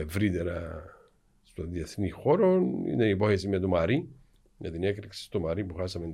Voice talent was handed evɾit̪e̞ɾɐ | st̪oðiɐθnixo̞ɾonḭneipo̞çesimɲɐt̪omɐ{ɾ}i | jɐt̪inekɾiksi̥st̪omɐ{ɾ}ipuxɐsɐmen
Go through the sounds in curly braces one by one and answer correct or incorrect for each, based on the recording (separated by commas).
correct, correct